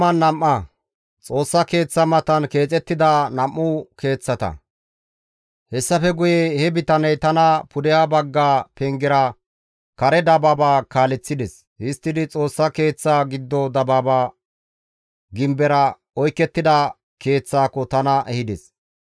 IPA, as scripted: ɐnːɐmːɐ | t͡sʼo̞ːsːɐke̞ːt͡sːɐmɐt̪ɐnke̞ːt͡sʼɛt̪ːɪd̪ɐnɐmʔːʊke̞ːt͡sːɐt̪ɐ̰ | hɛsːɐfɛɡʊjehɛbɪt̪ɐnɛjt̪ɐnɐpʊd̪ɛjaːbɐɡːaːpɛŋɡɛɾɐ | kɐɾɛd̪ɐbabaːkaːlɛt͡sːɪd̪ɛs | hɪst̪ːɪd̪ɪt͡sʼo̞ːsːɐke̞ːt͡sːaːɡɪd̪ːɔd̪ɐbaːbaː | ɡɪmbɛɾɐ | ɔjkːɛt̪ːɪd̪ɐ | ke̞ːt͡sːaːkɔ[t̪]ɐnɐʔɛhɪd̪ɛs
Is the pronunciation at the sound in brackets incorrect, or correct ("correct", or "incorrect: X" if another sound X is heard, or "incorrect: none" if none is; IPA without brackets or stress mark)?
correct